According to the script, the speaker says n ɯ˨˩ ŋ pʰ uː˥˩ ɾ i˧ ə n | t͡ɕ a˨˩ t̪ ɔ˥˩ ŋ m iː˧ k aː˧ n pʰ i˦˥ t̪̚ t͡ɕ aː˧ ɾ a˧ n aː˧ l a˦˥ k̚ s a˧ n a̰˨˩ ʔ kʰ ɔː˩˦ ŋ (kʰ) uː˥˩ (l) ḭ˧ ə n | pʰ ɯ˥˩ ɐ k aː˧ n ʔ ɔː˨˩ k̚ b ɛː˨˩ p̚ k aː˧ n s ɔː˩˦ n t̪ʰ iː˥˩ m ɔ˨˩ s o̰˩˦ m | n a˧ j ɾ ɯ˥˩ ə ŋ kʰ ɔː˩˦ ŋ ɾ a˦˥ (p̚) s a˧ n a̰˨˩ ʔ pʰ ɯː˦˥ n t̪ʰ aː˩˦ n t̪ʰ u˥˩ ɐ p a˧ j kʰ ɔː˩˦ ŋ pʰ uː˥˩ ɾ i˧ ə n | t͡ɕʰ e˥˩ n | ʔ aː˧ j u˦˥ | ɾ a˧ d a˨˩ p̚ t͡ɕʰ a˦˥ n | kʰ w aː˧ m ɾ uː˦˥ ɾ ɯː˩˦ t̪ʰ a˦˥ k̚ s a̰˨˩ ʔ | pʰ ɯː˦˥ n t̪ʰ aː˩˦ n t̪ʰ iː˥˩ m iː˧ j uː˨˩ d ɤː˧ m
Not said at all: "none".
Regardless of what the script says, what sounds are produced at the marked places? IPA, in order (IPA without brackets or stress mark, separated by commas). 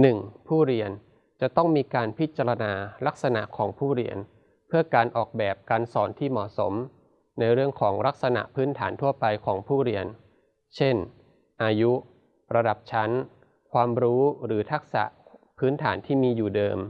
pʰ, ɾ, k̚